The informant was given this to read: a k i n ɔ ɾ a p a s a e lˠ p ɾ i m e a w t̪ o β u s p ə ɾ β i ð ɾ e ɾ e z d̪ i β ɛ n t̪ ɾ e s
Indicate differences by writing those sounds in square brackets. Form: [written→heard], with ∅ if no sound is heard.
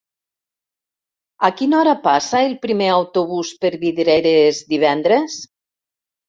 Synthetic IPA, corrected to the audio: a k i n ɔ ɾ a p a s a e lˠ p ɾ i m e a w t̪ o β u s p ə ɾ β i ð ɾ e ɾ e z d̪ i β ɛ n [t̪→d̪] ɾ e s